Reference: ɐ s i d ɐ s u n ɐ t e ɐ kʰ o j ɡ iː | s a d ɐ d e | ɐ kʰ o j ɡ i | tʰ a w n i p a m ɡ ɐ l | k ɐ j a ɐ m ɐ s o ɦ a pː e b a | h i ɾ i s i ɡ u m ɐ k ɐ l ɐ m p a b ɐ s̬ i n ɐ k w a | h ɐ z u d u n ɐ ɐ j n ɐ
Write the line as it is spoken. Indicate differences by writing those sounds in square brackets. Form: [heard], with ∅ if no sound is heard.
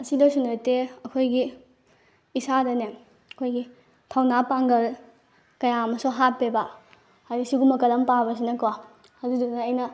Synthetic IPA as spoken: ɐ s i d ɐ s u n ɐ t e ɐ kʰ o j ɡ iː | s a d ɐ [n] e | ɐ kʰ o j ɡ i | tʰ a w n [a] p a [ŋ] ɡ ɐ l | k ɐ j a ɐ m ɐ s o ɦ a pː e b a | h [a] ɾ i s i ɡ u m ɐ k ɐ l ɐ m p a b ɐ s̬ i n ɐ k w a | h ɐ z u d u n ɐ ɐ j n ɐ